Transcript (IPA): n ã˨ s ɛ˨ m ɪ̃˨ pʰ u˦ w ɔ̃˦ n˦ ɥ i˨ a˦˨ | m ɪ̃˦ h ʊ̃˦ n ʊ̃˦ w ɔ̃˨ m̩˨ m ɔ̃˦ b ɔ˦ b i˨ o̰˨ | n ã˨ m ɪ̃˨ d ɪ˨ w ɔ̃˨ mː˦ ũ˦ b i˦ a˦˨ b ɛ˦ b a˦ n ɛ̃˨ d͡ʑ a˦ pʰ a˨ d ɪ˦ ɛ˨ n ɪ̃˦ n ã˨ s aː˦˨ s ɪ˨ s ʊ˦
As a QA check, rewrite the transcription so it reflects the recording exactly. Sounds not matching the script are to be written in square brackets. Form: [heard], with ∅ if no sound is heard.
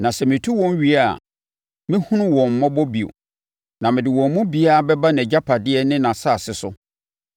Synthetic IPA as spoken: n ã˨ s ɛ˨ m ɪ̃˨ [tʰ] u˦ w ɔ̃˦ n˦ ɥ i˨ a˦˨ | m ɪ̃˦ h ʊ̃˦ n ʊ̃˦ w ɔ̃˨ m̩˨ m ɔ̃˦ b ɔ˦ b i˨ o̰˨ | n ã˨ m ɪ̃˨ d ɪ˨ w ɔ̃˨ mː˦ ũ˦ b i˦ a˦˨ b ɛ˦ b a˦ n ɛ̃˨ d͡ʑ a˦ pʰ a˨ d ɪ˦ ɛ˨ n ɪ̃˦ n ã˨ s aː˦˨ s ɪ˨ s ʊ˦